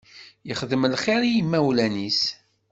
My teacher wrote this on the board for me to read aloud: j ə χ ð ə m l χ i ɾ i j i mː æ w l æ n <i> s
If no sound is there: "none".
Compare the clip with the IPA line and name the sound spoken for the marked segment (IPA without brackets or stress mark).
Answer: i